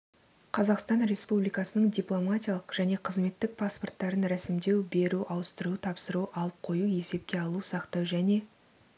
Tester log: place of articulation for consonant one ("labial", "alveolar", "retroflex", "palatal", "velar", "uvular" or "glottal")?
uvular